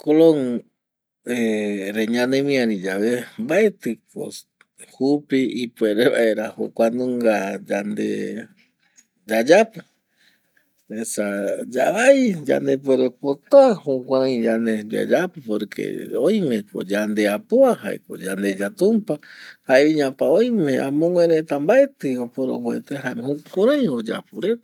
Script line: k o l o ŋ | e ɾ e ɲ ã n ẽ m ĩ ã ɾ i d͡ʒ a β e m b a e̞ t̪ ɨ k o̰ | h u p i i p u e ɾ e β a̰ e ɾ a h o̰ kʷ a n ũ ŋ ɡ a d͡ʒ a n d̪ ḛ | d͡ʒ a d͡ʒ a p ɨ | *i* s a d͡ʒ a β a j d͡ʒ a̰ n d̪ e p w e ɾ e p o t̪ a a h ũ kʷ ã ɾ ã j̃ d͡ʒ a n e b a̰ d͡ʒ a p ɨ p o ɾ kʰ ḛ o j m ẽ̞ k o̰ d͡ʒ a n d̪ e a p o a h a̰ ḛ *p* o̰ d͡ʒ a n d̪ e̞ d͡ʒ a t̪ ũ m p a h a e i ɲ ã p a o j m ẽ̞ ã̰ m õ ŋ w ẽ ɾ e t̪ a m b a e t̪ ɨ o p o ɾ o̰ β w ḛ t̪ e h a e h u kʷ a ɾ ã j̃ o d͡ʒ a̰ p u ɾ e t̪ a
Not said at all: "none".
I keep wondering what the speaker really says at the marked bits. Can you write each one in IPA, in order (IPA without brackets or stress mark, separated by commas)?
e, k